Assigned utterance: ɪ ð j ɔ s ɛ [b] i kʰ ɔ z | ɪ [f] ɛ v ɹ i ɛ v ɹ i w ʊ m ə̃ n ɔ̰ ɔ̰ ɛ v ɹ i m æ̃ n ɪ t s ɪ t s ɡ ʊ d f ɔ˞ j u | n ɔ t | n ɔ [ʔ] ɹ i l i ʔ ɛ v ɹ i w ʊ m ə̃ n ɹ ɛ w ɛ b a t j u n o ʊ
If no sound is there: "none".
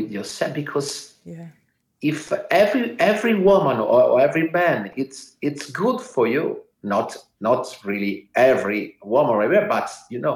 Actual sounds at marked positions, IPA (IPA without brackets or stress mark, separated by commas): b, f, t